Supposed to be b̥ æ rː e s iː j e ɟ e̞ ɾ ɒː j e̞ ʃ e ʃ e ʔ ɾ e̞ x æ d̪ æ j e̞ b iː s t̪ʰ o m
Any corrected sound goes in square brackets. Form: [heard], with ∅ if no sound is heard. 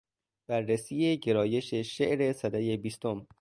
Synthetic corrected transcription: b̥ æ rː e s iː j e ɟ e̞ ɾ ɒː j e̞ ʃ e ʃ e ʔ ɾ e̞ [s] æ d̪ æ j e̞ b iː s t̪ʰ o m